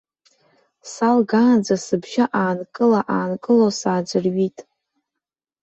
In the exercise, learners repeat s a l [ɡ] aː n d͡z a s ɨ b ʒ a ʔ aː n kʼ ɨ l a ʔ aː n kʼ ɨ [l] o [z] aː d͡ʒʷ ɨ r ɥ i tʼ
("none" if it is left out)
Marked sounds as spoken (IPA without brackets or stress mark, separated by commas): ɡ, l, s